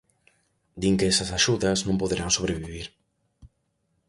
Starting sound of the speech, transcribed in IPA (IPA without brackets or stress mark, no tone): d̪